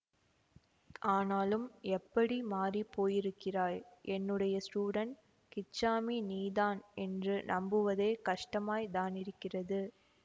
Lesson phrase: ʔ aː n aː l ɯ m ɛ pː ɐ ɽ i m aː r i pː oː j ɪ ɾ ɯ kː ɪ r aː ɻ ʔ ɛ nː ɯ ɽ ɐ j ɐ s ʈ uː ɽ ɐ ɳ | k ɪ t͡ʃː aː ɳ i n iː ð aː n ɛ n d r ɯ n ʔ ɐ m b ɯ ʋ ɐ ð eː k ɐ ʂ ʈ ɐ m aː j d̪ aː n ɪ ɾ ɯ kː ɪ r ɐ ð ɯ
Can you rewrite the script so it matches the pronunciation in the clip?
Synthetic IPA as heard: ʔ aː n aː l ɯ m ɛ pː ɐ ɽ i m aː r i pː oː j ɪ ɾ ɯ kː ɪ r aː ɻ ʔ ɛ nː ɯ ɽ ɐ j ɐ s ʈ uː ɽ ɐ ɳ | k ɪ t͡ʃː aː m i n iː ð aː n ɛ n d r ɯ n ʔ ɐ m b ɯ ʋ ɐ ð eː k ɐ ʂ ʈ ɐ m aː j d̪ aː n ɪ ɾ ɯ kː ɪ r ɐ ð ɯ

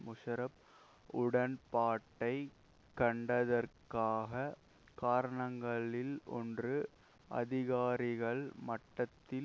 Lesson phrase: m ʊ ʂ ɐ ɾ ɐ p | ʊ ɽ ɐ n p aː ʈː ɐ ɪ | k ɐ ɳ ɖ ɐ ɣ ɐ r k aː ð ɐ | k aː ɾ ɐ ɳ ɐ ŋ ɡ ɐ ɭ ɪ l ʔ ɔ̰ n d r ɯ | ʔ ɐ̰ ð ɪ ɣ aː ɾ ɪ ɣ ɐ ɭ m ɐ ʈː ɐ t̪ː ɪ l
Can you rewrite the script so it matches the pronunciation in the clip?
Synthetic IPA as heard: m ʊ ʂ ɐ ɾ ɐ p | ʊ ɽ ɐ n p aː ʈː ɐ ɪ | k ɐ ɳ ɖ ɐ ð ɐ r k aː ɣ ɐ | k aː ɾ ɐ ɳ ɐ ŋ ɡ ɐ ɭ ɪ l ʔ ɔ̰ n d r ɯ | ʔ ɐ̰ ð ɪ ɣ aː ɾ ɪ ɣ ɐ ɭ m ɐ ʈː ɐ t̪ː ɪ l

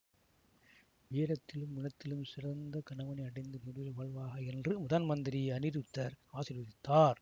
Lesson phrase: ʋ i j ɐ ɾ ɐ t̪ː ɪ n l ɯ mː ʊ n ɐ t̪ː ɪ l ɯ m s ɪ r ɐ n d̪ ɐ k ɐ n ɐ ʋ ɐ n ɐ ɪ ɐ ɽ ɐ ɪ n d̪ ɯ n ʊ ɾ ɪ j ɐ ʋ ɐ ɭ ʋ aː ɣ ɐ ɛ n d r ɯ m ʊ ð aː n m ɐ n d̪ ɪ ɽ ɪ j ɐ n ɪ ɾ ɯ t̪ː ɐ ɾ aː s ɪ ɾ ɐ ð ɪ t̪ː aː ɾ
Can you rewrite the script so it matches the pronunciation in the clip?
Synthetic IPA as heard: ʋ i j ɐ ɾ ɐ t̪ː ɪ l ɯ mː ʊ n ɐ t̪ː ɪ l ɯ m s ɪ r ɐ n d̪ ɐ k ɐ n ɐ ʋ ɐ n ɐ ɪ ɐ ɽ ɐ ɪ n d̪ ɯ n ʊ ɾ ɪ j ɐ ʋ ɐ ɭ ʋ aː ɣ ɐ ɛ n d r ɯ m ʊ ð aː n m ɐ n d̪ ɪ ɾ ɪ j ɐ n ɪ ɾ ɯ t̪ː ɐ ɾ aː s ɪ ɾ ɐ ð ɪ t̪ː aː ɾ

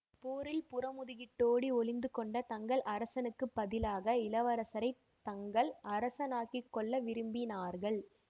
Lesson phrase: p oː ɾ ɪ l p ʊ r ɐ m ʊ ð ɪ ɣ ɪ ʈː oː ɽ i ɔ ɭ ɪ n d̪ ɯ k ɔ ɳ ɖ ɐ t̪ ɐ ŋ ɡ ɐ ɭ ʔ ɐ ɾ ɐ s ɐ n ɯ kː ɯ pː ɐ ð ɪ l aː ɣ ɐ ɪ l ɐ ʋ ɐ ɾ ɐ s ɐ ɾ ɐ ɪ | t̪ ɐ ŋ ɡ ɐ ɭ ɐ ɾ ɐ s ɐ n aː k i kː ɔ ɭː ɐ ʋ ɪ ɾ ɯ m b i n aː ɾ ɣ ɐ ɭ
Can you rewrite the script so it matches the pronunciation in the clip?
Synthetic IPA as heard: p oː ɾ ɪ l p ʊ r ɐ m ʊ ð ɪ ɣ ɪ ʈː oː ɽ i ɔ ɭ ɪ n d̪ ɯ k ɔ ɳ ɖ ɐ t̪ ɐ ŋ ɡ ɐ ɭ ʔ ɐ ɾ ɐ s ɐ n ɯ kː ɯ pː ɐ ð ɪ l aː ɣ ɐ ɪ l ɐ ʋ ɐ ɾ ɐ s ɐ ɾ ɐ ɪ | t̪ ɐ ŋ ɡ ɐ ɭ ɐ ɾ ɐ s ɐ n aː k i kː ɔ ɭː ɐ ʋ ɪ ɾ ɯ m b i n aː ɾ ɣ ɐ ɭ

